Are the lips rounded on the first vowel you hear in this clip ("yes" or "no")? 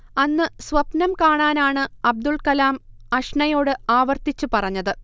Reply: no